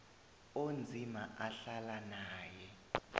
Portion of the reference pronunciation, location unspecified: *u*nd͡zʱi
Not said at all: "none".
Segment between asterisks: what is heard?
o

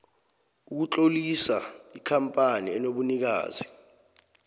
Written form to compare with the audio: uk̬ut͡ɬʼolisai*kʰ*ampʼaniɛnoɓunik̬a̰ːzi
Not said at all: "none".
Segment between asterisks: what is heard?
kʰ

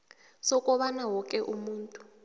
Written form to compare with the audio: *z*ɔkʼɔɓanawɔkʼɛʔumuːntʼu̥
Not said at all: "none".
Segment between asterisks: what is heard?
s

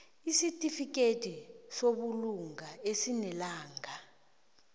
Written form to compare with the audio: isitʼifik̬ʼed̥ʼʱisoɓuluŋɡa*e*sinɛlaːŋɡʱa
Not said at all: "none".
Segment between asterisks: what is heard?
e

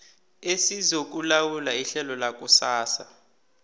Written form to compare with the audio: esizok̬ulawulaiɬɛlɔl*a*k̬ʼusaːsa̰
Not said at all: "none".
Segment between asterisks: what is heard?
a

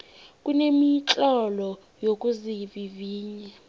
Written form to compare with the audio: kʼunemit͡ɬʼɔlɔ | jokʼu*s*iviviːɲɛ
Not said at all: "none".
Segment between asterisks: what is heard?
z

